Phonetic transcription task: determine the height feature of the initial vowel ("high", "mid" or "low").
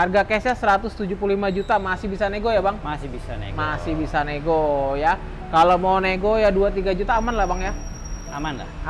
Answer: low